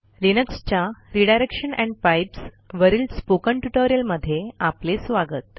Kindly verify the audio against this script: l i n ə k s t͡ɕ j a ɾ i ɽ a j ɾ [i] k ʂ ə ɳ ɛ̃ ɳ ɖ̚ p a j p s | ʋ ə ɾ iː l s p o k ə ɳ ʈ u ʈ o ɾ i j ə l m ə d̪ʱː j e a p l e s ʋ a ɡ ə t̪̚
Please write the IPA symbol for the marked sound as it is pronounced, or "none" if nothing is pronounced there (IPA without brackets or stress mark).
e